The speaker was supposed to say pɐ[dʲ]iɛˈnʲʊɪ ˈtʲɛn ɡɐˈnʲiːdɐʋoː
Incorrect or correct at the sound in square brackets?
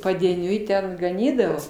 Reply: correct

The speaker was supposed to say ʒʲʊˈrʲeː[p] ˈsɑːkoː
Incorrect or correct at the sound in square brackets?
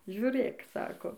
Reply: incorrect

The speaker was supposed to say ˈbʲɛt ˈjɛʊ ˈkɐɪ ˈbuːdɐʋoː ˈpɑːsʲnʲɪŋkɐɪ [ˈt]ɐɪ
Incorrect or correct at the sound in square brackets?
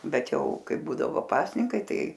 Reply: correct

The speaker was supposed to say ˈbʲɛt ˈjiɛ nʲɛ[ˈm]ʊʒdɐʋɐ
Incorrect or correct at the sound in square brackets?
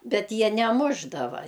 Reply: correct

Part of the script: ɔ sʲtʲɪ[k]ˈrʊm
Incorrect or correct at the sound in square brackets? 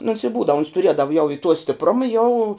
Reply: incorrect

